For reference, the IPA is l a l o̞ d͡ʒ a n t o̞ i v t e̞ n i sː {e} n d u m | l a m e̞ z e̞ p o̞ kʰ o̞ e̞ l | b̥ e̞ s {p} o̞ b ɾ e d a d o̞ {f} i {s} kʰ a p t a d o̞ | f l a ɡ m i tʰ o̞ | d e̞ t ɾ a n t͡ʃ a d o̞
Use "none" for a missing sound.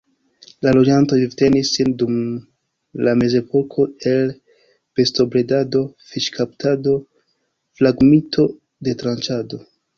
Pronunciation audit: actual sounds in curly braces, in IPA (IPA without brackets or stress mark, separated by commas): i, t, f, ʃ